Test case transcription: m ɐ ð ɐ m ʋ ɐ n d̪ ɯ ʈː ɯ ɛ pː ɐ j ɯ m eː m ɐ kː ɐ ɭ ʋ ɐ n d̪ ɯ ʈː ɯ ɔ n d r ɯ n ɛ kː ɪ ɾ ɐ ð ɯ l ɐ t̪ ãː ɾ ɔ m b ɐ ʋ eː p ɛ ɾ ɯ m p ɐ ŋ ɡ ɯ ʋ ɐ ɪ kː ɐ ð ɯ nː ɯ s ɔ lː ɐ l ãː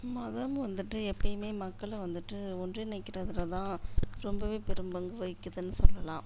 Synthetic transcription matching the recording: m ɐ ð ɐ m ʋ ɐ n d̪ ɯ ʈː ɯ ɛ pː ɐ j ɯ m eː m ɐ kː ɐ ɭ ʋ ɐ n d̪ ɯ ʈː ɯ ɔ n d r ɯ n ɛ kː ɪ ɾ ɐ ð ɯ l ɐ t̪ ãː ɾ ɔ m b ɐ ʋ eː p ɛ ɾ ɯ m b ɐ ŋ ɡ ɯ ʋ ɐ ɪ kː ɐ ð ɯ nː ɯ s ɔ lː ɐ l ãː